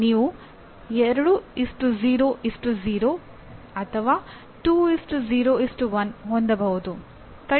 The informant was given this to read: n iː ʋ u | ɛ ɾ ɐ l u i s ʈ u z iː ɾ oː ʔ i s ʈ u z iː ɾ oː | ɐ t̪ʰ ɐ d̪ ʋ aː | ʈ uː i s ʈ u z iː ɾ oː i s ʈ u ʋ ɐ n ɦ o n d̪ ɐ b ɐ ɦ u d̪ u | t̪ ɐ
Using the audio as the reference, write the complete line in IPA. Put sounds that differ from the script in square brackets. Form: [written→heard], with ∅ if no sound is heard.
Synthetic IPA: n iː ʋ u | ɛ ɾ ɐ [l→ɽ] u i s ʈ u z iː ɾ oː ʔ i s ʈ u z iː ɾ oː | ɐ t̪ʰ ɐ [d̪→∅] ʋ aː | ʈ uː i s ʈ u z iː ɾ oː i s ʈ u ʋ ɐ n ɦ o n d̪ ɐ b ɐ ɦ u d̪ u | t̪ ɐ